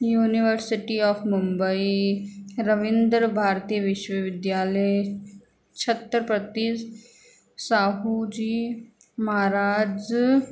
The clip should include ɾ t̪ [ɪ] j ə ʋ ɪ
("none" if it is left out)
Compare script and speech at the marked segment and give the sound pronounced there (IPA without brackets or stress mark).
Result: i